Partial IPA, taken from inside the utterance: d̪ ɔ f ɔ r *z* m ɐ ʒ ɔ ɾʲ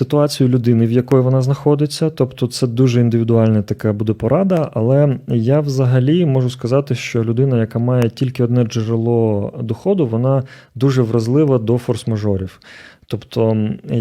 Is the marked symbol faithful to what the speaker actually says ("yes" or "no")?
no